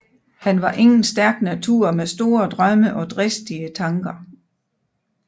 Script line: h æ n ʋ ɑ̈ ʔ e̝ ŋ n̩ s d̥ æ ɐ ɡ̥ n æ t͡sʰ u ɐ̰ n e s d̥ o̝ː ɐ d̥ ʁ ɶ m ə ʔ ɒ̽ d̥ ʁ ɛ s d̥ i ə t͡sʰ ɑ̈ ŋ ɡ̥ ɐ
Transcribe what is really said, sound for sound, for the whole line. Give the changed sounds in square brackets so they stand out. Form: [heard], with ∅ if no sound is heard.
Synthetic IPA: h æ n ʋ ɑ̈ ʔ e̝ ŋ n̩ s d̥ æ ɐ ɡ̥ n æ t͡sʰ u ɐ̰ [m] e s d̥ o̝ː ɐ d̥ ʁ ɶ m ə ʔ ɒ̽ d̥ ʁ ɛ s d̥ i ə t͡sʰ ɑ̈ ŋ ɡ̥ ɐ